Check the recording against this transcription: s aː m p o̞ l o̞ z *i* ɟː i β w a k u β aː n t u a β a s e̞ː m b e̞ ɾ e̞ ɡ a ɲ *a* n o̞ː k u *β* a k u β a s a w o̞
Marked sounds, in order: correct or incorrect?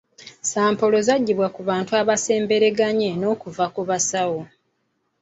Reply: incorrect: a, incorrect: e, incorrect: v

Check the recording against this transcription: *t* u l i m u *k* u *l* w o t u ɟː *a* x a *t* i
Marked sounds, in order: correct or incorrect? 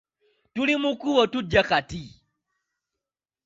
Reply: correct, correct, incorrect: none, correct, correct

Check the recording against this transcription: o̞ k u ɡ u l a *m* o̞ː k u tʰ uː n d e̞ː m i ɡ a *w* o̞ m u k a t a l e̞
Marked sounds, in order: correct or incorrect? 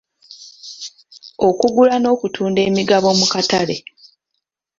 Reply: incorrect: n, incorrect: β

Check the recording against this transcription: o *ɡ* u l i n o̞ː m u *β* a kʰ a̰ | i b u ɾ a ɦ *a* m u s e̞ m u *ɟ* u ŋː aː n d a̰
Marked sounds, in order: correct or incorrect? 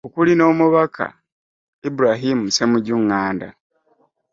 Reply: incorrect: k, correct, incorrect: i, correct

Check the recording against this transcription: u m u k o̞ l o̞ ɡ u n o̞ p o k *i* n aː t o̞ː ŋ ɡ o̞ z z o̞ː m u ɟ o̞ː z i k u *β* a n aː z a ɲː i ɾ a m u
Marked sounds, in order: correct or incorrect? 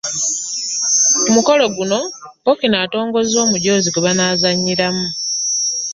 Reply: correct, correct

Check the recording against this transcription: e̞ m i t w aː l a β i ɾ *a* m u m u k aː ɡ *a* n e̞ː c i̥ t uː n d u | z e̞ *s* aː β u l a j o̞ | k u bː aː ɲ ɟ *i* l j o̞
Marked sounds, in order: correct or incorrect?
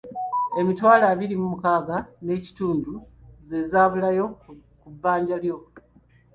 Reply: incorrect: i, correct, incorrect: z, incorrect: a

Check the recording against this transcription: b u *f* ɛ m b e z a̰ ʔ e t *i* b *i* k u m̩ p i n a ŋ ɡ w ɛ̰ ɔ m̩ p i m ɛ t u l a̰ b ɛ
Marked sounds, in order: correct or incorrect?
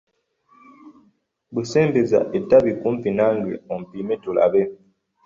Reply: incorrect: s, incorrect: a, correct

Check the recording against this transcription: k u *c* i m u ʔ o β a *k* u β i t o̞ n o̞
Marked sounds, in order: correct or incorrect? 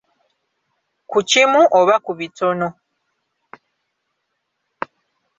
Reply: correct, correct

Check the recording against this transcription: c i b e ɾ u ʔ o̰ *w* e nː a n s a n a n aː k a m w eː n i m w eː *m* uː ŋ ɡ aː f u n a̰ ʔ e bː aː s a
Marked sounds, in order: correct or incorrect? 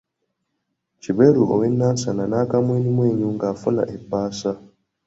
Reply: correct, incorrect: ɲ

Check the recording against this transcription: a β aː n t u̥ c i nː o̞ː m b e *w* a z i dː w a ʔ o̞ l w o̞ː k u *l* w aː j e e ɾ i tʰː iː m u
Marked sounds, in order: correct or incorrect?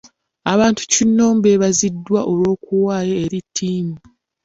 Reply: incorrect: β, incorrect: none

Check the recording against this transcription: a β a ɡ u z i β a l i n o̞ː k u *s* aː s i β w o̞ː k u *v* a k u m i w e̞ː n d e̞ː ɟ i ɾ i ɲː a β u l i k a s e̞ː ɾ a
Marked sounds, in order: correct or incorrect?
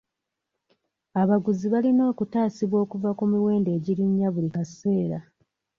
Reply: incorrect: t, correct

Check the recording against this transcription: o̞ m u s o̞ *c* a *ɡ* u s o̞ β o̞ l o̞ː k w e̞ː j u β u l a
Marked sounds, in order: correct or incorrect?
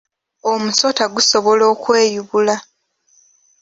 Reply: incorrect: t, correct

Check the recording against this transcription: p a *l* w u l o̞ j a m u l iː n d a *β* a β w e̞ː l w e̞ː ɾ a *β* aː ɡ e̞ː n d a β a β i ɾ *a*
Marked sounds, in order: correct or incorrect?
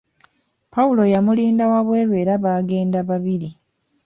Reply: incorrect: none, incorrect: w, correct, incorrect: i

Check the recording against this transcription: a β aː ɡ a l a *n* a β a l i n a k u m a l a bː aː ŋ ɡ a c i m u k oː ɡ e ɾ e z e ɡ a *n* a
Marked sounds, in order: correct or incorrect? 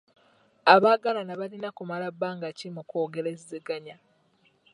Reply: correct, incorrect: ɲ

